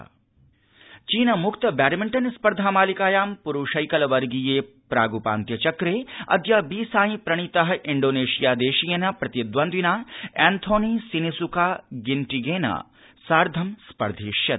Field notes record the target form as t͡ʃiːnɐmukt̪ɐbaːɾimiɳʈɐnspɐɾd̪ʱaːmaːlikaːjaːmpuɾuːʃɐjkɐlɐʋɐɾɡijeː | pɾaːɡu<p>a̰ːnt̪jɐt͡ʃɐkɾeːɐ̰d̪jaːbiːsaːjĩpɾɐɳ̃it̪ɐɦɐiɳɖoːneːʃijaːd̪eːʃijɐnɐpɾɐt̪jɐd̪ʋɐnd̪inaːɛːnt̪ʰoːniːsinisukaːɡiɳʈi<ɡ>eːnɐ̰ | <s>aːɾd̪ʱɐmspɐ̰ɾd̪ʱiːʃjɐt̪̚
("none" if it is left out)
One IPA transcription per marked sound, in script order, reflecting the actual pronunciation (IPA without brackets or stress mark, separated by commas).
p, ɡ, s